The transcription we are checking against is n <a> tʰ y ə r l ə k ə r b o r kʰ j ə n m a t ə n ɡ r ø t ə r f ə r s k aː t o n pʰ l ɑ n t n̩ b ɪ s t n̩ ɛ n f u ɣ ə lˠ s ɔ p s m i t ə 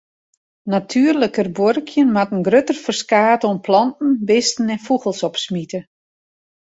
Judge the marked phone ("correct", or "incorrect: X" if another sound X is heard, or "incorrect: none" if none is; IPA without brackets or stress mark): correct